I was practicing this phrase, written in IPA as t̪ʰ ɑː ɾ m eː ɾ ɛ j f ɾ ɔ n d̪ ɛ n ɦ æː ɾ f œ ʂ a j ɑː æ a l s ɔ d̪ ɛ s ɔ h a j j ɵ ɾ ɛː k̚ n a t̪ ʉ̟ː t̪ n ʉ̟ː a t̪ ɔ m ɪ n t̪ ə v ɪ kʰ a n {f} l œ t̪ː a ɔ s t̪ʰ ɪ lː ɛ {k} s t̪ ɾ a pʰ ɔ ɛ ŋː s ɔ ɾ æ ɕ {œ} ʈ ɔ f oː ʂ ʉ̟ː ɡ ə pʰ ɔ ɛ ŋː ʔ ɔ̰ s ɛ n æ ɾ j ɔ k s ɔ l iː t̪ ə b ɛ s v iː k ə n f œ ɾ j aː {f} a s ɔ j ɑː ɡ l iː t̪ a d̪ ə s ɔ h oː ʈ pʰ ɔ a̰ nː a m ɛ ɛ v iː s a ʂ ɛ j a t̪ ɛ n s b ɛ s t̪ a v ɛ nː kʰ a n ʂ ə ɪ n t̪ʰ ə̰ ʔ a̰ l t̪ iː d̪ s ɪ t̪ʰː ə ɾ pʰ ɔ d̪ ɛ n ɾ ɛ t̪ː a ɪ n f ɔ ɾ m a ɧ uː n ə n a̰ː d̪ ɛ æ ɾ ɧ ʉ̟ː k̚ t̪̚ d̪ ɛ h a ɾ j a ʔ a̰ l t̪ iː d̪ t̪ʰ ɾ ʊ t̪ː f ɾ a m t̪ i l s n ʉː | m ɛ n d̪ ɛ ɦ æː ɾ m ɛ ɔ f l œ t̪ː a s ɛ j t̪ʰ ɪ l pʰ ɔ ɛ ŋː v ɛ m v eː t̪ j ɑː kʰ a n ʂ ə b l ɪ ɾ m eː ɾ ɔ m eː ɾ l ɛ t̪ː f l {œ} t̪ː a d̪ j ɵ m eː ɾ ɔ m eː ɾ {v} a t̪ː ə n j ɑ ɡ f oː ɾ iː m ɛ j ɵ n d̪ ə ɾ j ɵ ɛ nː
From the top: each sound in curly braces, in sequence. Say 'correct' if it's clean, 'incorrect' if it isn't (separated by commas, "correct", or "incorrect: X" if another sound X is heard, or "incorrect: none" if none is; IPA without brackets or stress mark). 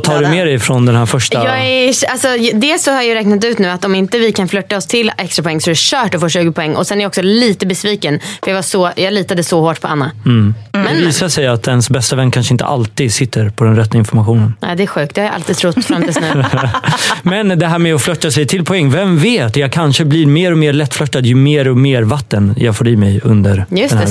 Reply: correct, correct, incorrect: œː, incorrect: v, correct, correct